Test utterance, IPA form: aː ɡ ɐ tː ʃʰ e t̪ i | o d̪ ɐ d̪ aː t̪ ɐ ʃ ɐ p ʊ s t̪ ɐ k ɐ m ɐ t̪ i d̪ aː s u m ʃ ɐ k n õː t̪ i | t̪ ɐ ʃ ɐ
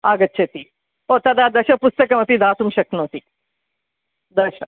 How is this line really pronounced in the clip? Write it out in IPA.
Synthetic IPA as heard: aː ɡ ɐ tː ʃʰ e t̪ i | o t̪ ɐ d̪ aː d̪ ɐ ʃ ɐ p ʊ s t̪ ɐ k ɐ m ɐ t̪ i d̪ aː s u m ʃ ɐ k n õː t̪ i | d̪ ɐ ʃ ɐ